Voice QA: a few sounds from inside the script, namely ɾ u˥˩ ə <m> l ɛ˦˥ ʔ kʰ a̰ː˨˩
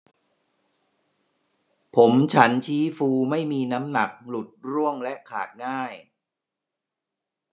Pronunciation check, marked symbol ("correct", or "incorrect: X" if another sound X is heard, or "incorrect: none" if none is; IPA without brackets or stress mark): incorrect: ŋ